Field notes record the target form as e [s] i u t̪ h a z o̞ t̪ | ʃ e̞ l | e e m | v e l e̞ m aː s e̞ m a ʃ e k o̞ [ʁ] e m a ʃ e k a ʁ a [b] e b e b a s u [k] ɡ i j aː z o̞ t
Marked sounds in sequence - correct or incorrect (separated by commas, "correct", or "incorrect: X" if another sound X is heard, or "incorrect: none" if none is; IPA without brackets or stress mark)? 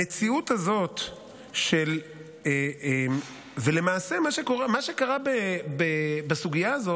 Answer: incorrect: t͡s, correct, correct, incorrect: none